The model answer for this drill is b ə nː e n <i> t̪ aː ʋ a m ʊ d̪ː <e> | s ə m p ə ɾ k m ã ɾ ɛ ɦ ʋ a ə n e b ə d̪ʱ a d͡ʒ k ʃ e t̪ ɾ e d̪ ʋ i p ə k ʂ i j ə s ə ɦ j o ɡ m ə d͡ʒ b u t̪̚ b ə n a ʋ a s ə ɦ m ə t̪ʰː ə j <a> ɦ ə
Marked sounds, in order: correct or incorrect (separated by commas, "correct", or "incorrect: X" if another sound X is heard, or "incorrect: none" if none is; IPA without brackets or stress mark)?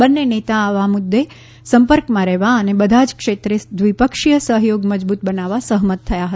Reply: incorrect: e, correct, correct